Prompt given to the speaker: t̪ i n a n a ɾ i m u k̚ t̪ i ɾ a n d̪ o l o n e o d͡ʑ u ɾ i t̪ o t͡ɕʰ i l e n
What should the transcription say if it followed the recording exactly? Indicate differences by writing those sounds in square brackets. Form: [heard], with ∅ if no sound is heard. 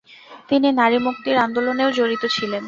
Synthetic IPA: t̪ i n [i] n a ɾ i m u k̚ t̪ i ɾ a n d̪ o l o n e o d͡ʑ [o] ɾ i t̪ o t͡ɕʰ i l e n

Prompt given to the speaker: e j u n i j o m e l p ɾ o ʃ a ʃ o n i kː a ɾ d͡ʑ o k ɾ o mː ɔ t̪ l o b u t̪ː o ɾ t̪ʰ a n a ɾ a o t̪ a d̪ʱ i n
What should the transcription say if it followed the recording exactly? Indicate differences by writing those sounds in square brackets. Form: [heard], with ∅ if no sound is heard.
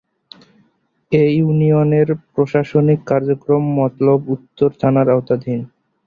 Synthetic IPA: e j u n i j o [n] e [ɾ] p ɾ o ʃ a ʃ o n i kː a ɾ d͡ʑ o k ɾ o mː ɔ t̪ l o b u t̪ː o ɾ t̪ʰ a n a ɾ a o t̪ a d̪ʱ i n

